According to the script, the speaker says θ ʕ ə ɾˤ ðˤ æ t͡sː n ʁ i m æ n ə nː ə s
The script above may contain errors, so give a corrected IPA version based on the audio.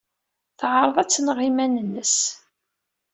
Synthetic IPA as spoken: θ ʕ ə ɾˤ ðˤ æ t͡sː n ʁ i m æ n ə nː ə s